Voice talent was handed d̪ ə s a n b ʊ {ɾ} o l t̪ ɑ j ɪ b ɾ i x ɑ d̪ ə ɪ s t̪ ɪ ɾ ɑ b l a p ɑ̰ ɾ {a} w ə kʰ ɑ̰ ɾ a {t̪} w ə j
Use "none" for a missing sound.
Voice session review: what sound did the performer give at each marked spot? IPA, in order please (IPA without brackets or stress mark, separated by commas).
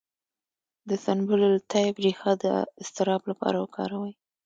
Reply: l, a, none